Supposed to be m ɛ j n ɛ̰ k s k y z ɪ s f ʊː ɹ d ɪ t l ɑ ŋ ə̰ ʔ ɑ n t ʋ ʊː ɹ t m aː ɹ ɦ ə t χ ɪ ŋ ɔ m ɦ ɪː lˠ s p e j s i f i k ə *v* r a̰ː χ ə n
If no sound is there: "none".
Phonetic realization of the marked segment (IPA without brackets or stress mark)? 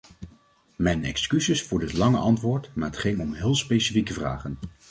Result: v